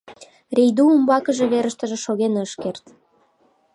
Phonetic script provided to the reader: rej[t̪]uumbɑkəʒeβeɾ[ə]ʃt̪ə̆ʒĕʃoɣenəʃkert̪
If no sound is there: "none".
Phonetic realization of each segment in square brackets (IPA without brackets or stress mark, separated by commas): d̪, ə